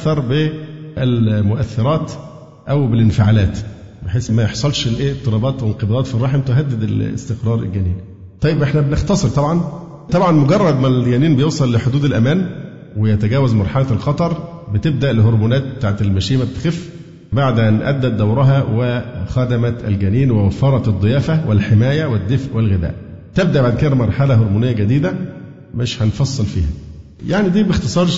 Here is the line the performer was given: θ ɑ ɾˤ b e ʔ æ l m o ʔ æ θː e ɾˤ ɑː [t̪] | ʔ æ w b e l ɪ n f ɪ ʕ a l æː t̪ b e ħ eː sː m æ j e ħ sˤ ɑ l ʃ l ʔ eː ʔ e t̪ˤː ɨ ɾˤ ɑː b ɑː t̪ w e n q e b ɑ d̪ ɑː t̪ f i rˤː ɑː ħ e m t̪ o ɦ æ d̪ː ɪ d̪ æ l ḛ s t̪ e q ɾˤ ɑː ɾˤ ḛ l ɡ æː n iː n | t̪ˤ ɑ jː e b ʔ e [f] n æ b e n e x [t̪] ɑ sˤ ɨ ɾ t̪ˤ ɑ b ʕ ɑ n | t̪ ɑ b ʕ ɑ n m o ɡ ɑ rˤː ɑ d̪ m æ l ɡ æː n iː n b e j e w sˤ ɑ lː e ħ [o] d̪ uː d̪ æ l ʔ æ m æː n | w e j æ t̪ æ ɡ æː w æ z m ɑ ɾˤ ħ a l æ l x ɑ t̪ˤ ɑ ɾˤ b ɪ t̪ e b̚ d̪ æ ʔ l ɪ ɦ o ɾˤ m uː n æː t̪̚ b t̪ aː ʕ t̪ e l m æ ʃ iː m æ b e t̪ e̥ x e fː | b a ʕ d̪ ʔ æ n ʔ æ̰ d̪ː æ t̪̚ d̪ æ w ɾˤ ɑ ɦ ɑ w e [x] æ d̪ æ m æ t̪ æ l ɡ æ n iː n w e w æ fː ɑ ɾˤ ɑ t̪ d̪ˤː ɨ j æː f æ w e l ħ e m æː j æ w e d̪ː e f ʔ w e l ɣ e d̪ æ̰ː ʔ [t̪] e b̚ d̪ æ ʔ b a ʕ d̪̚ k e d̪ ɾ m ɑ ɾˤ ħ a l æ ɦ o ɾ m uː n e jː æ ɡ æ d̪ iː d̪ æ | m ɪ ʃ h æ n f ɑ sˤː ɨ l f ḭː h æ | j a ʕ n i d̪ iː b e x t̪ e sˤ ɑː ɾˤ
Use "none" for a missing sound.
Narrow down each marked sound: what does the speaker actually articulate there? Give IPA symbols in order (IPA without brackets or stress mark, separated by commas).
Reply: t̪, ħ, t̪, o, x, t̪